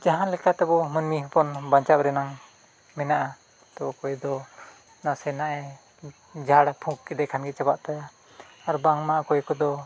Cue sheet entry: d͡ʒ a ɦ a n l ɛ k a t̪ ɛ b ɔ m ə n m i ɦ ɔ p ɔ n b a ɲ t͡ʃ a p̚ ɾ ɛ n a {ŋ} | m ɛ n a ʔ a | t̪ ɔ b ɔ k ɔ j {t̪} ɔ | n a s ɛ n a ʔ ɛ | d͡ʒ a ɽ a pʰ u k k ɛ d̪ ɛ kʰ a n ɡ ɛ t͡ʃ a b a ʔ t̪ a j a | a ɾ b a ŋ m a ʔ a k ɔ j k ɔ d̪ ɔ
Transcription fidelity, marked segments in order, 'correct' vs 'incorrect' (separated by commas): correct, incorrect